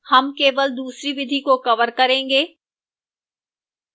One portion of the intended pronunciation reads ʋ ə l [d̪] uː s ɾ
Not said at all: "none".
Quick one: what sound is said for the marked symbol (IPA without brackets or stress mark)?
d̪